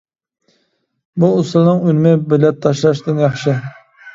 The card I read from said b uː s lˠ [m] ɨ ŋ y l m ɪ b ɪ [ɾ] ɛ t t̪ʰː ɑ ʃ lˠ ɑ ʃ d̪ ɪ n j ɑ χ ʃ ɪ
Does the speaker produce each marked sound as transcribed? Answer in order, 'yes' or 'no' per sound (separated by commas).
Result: no, no